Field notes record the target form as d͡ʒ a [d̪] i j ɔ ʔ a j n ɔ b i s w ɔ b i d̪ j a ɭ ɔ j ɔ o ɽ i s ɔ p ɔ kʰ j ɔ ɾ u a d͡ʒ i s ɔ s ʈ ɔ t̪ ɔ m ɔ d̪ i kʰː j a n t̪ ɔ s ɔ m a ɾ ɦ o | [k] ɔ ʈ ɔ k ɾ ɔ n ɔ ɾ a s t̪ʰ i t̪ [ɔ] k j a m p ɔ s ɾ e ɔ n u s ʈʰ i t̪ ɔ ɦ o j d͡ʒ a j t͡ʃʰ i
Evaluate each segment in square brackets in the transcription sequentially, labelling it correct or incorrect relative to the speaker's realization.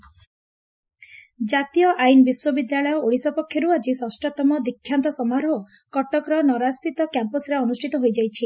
incorrect: t̪, correct, correct

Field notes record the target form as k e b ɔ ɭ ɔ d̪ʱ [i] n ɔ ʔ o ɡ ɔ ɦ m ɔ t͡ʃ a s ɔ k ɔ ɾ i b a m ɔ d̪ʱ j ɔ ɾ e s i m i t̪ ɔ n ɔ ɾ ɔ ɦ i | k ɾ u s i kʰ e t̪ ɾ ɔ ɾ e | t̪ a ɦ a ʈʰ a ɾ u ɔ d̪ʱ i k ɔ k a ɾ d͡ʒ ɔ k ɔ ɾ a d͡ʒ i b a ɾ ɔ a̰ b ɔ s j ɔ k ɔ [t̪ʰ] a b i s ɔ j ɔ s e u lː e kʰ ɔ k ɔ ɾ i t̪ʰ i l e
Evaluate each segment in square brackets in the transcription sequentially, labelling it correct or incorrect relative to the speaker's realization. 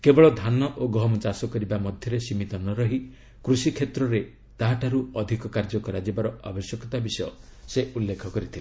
incorrect: a, incorrect: t̪

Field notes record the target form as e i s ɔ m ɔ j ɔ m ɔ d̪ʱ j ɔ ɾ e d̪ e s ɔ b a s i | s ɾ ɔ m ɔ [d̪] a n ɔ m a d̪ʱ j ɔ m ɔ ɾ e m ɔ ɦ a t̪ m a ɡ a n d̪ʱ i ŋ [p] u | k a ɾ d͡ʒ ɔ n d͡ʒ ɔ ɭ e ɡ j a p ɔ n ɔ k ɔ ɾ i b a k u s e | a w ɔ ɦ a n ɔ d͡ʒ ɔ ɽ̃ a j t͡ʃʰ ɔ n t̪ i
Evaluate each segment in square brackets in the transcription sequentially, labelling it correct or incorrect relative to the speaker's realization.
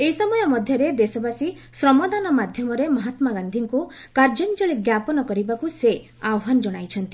correct, incorrect: k

